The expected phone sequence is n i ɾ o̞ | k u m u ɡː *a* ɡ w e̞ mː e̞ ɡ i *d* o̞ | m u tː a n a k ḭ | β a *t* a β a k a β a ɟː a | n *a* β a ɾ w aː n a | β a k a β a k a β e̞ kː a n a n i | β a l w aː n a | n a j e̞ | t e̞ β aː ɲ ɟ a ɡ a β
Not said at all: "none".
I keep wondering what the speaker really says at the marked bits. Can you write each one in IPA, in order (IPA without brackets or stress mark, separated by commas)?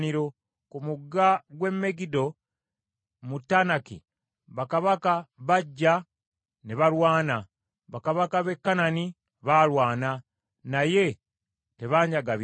a, d, k, e